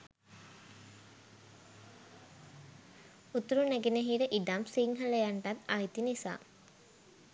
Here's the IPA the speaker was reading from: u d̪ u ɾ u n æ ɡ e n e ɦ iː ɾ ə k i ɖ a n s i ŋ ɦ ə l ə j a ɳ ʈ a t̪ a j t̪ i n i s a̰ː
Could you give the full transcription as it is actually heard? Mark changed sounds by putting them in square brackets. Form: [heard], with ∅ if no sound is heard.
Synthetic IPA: u [t̪] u ɾ u n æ ɡ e n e ɦ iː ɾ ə [ʔ] i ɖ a [m] s i ŋ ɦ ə l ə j a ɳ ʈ a t̪ a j t̪ i n i s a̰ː